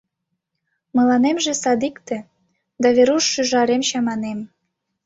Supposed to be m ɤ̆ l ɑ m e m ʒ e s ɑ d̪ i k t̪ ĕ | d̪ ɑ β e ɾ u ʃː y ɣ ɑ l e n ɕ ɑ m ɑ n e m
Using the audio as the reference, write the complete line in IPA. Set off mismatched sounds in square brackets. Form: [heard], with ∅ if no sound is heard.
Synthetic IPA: m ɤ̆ l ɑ [n] e m ʒ e s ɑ d̪ i k t̪ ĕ | d̪ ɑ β e ɾ u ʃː y [ʒ] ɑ [ɾ] e [m] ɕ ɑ m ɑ n e m